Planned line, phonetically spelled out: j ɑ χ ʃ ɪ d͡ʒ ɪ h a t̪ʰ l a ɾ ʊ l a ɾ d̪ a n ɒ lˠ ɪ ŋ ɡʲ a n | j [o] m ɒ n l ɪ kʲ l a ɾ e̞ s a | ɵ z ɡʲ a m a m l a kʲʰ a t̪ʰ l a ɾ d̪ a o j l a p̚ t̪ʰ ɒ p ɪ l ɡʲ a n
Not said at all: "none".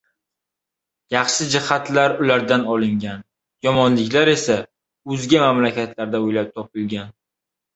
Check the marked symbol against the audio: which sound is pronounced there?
ɒ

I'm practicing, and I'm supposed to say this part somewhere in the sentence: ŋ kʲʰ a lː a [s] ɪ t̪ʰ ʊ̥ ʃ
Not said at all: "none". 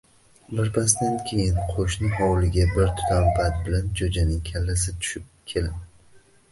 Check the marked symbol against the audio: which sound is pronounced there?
s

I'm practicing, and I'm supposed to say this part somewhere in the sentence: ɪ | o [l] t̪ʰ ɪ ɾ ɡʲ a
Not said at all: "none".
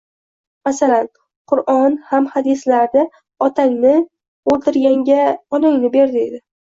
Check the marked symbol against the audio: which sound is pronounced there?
l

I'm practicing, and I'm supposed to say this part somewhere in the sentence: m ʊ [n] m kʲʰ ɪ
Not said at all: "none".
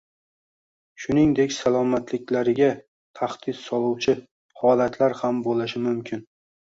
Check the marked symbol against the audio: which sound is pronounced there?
none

